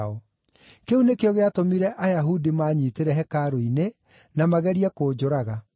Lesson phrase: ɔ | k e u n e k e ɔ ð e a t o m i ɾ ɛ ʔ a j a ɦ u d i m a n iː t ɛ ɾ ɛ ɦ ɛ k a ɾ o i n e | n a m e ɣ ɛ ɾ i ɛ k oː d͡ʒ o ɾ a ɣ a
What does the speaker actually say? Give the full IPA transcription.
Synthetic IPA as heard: ɔ | k e u n e k e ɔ ɣ e a t o m i ɾ ɛ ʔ a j a ɦ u d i m a ɲ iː t e ɾ ɛ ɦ ɛ k a ɾ o i n e | n a m a ɣ ɛ ɾ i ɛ k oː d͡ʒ o ɾ a ɣ a